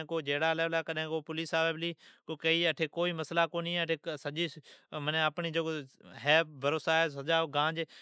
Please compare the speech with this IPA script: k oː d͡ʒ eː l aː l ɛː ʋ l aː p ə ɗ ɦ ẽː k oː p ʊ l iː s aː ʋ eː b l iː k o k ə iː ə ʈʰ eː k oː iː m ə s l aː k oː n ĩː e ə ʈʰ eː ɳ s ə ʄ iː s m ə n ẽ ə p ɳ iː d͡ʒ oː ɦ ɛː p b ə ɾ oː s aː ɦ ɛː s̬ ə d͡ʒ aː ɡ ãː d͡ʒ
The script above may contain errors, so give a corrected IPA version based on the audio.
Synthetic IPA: k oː d͡ʒ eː ɽ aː l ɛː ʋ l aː k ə ɗ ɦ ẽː k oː p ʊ l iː s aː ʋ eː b l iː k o k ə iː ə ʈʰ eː k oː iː m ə s l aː k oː n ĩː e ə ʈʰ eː s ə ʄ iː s m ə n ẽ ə p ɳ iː d͡ʒ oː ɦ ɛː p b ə ɾ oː s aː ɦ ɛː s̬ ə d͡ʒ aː ɡ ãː d͡ʒ